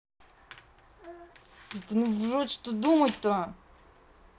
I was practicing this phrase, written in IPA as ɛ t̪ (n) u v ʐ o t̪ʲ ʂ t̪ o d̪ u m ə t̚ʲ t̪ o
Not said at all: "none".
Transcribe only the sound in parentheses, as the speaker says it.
n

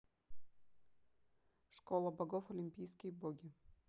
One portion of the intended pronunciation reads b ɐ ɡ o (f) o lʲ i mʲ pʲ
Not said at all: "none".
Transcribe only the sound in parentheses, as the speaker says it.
f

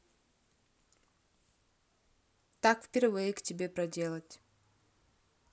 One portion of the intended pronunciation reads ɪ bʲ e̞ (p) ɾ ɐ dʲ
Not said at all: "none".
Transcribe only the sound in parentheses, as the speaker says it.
p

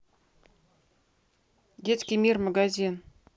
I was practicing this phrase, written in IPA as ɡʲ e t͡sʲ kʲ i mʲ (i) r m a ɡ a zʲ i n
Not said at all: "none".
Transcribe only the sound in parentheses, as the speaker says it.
i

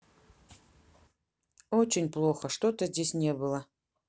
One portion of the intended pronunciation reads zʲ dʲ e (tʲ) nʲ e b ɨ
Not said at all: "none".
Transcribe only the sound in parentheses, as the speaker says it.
sʲ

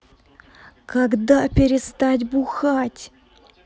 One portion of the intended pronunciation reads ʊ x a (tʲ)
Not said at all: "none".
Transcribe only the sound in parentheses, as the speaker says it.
tʲ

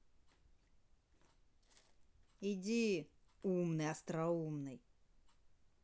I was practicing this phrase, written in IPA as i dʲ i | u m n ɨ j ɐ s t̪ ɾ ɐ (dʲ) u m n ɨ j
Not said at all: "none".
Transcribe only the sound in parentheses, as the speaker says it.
none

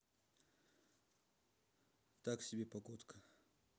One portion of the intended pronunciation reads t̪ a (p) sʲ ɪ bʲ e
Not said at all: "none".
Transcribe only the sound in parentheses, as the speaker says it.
k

